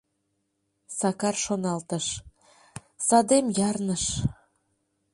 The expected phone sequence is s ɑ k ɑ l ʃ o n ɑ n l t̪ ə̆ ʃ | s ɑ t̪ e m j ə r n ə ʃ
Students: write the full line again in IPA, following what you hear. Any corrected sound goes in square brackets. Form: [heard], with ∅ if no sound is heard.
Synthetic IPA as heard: s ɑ k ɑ [r] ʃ o n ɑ [∅] l t̪ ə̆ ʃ | s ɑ [d̪] e m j [ɑ] r n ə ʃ